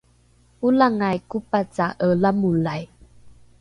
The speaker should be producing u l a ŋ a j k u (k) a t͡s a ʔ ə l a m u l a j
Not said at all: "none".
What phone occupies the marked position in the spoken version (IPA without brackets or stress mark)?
p